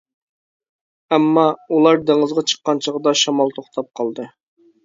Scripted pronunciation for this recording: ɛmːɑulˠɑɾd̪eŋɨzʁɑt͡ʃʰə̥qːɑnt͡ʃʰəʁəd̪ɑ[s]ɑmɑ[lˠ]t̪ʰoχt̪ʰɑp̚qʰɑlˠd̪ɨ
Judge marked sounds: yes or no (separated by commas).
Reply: no, yes